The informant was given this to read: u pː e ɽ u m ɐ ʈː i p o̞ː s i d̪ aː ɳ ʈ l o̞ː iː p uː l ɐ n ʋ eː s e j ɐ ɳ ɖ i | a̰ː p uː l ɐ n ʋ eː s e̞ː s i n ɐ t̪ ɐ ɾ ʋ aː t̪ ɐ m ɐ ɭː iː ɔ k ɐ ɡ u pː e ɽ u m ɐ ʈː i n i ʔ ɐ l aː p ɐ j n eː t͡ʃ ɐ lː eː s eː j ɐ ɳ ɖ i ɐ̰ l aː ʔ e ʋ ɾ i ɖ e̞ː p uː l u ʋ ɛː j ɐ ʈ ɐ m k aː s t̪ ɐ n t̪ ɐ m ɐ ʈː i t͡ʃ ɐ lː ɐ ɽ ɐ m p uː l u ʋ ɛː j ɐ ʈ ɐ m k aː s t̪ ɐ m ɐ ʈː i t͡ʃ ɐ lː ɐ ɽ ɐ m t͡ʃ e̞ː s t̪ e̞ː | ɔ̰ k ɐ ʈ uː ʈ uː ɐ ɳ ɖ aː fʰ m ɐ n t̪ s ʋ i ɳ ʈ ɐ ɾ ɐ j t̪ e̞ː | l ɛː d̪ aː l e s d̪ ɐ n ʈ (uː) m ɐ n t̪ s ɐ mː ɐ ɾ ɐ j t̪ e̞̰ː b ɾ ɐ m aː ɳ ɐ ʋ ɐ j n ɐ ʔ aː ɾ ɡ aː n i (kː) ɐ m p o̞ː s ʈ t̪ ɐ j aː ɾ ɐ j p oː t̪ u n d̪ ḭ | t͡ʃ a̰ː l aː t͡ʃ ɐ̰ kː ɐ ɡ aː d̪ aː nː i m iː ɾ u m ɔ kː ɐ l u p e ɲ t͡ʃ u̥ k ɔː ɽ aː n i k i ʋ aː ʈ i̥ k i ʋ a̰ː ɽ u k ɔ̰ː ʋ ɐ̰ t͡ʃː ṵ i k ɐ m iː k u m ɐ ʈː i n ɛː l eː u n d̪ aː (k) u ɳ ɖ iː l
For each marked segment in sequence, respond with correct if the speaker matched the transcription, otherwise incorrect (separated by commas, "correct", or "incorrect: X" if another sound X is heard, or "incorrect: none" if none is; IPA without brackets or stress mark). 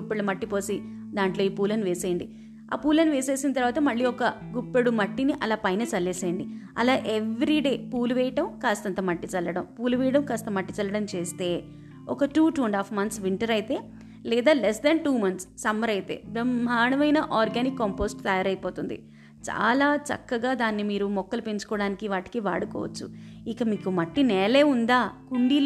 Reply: correct, correct, correct